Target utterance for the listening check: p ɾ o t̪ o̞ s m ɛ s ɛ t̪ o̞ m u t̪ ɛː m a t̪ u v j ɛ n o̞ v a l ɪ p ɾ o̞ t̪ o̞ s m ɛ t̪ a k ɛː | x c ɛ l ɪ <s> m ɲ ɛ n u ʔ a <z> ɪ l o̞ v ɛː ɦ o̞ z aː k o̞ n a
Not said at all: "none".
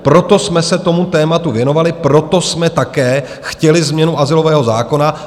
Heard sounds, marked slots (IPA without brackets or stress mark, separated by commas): z, z